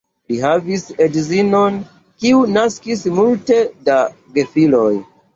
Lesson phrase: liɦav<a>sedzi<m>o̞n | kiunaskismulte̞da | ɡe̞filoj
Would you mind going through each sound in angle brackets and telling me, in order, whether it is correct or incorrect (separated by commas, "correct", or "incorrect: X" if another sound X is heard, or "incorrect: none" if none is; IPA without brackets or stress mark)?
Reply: incorrect: i, incorrect: n